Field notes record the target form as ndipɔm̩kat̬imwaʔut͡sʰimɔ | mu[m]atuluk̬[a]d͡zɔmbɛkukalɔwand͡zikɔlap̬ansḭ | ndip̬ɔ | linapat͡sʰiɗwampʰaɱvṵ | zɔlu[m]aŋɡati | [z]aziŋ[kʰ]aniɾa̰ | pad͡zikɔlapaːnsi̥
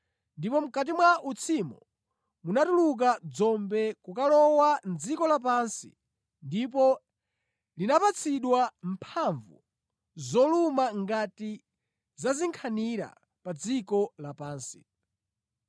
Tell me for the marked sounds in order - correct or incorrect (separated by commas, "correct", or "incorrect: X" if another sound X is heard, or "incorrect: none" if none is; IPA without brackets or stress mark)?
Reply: incorrect: n, correct, correct, correct, correct